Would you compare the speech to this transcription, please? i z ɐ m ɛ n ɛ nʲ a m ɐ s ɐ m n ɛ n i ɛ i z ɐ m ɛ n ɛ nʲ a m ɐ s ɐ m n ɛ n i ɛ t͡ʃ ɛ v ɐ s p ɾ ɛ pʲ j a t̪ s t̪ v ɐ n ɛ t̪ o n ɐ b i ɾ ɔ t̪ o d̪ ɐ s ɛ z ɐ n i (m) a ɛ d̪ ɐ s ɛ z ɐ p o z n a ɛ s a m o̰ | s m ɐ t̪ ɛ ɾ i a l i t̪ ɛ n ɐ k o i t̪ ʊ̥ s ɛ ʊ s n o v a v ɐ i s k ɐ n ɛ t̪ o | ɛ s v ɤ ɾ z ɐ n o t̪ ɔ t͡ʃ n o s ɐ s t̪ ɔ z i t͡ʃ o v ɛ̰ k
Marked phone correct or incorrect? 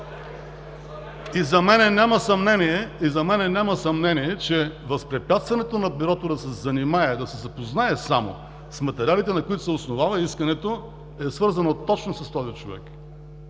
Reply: correct